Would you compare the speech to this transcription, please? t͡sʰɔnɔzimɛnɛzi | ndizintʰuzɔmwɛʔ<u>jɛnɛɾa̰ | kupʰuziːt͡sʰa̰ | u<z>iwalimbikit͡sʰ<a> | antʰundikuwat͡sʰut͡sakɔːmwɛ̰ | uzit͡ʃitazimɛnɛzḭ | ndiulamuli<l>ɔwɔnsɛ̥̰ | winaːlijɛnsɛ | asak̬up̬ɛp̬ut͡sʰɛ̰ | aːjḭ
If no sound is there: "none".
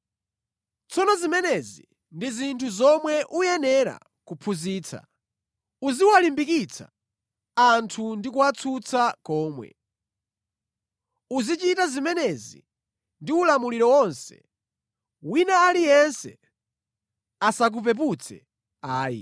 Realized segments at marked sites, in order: u, z, a, ɾ

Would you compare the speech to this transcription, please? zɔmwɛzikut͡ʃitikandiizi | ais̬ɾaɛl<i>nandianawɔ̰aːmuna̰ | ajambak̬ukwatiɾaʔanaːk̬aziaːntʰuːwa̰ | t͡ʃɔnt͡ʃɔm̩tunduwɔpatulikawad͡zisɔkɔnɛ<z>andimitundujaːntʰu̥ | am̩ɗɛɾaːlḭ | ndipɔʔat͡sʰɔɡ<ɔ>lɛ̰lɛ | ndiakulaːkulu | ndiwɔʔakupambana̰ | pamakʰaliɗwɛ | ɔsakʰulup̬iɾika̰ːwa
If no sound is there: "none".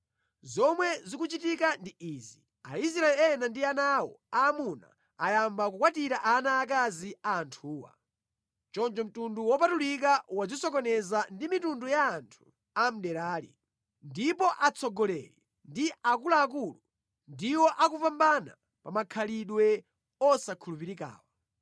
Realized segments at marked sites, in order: ɛ, z, ɔ

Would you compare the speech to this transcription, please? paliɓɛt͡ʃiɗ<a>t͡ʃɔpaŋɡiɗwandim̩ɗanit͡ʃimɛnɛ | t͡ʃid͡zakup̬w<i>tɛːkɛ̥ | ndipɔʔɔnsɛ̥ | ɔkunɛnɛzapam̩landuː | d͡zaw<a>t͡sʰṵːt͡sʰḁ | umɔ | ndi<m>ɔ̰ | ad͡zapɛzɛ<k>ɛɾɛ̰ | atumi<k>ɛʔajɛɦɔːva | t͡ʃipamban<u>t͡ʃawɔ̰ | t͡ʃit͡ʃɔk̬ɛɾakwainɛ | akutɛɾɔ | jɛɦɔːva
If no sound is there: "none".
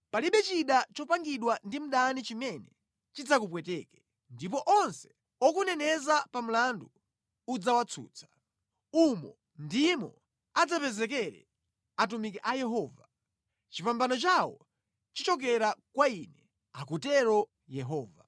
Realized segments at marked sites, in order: a, ɛ, a, m, k, k, ɔ

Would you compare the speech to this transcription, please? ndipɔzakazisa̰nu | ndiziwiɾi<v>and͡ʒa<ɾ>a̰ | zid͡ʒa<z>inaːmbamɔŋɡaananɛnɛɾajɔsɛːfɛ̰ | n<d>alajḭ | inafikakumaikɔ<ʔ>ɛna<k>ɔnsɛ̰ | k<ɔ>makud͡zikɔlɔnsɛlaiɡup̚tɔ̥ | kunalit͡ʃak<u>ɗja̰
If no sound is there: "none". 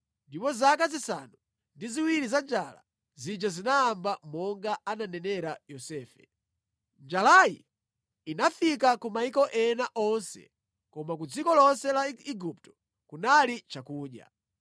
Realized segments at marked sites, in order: z, l, z, d͡ʒ, ʔ, ʔ, ɔ, uː

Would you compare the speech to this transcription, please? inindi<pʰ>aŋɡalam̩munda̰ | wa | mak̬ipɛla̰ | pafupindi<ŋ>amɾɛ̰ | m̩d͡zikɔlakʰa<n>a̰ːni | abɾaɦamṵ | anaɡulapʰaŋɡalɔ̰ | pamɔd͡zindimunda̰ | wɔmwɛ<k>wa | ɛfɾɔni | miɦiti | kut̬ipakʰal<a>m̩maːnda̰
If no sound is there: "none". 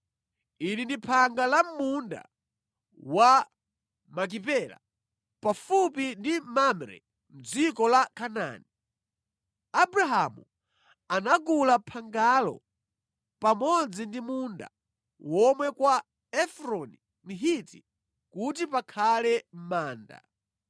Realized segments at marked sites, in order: pʰ, m, n, k, ɛ

